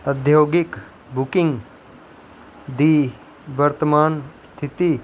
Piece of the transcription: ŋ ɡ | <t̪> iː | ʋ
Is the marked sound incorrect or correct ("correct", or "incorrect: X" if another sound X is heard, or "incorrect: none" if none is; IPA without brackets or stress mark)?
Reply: incorrect: d̪